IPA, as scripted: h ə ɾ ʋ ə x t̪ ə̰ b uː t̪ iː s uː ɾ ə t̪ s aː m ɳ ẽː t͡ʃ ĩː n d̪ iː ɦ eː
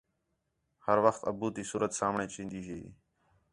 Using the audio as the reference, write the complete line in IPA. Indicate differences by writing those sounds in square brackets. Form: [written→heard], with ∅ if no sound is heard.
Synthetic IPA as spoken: h ə ɾ ʋ ə x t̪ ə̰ b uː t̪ iː s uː ɾ ə t̪ s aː m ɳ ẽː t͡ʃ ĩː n d̪ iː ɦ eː